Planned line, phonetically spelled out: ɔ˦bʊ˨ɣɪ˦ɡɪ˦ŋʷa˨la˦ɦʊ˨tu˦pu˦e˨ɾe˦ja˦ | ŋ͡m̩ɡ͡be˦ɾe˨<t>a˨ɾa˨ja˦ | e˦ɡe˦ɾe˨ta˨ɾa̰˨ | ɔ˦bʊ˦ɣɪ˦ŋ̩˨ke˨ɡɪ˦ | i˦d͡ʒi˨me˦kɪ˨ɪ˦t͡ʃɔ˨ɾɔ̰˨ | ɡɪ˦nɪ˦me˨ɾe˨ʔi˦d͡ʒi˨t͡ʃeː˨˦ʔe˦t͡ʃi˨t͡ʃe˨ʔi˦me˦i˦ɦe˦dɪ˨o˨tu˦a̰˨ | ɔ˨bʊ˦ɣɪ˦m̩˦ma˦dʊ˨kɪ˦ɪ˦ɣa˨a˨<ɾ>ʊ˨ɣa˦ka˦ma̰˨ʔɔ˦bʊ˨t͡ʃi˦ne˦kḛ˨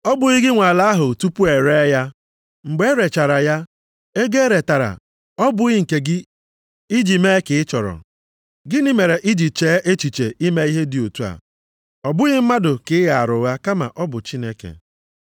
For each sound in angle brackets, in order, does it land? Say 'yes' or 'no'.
no, yes

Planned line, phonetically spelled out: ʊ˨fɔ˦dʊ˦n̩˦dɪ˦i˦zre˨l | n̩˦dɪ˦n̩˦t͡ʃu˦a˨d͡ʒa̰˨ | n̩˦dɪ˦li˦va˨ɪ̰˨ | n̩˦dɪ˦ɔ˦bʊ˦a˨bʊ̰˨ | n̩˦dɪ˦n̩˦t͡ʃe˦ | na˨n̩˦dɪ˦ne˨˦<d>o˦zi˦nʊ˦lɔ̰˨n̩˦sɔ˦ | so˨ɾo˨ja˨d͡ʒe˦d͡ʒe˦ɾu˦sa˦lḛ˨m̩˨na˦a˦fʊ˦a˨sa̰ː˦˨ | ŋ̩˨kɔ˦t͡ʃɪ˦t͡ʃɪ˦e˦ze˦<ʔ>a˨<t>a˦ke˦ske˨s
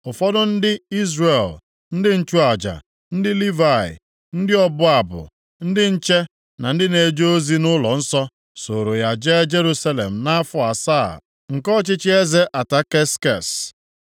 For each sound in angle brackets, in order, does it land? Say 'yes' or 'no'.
no, yes, yes

